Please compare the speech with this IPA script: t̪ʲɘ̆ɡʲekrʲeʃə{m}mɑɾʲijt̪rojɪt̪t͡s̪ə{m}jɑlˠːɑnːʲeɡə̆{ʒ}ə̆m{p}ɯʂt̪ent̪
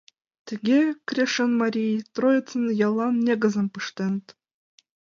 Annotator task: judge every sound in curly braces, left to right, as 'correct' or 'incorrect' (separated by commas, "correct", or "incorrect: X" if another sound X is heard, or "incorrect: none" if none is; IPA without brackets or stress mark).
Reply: incorrect: n, incorrect: n, incorrect: z, correct